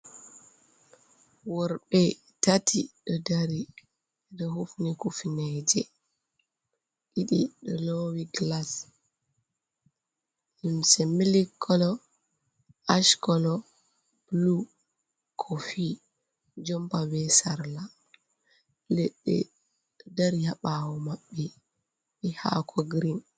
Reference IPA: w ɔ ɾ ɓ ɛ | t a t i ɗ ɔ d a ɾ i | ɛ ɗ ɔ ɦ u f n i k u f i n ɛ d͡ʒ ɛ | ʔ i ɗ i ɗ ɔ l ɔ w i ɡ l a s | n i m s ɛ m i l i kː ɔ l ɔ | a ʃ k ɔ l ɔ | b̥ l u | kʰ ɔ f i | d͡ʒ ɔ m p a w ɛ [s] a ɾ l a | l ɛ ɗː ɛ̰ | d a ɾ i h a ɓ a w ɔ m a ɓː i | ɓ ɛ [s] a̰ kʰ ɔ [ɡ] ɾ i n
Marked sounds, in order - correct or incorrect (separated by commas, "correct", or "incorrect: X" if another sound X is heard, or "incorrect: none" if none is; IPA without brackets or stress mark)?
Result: correct, incorrect: h, correct